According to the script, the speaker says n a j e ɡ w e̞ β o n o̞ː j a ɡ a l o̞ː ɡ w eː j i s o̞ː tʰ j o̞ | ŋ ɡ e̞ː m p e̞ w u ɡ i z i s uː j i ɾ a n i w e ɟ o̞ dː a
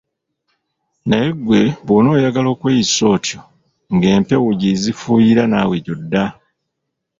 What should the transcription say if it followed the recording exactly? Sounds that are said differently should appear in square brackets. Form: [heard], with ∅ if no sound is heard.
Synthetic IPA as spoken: n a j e ɡ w e̞ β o n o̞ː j a ɡ a l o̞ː [k] w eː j i s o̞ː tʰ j o̞ | ŋ ɡ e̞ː m p e̞ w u [ɟ] i z i [f] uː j i ɾ a n [a] w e ɟ o̞ dː a